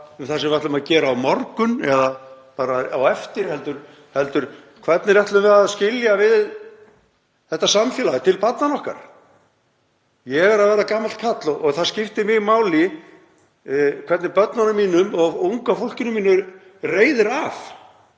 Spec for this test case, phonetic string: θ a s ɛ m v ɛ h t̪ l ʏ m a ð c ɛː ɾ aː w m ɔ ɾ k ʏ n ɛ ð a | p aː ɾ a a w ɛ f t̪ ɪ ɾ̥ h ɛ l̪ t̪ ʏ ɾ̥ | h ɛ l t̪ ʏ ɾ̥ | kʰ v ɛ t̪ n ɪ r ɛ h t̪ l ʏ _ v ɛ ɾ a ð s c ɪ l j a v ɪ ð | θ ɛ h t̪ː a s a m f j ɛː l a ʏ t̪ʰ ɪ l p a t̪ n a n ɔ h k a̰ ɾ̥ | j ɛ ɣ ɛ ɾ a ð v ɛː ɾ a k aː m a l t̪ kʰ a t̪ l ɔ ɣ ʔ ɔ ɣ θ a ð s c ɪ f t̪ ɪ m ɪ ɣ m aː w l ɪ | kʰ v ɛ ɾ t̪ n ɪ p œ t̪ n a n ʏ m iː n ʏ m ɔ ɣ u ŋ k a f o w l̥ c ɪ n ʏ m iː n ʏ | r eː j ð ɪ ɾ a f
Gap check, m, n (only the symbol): m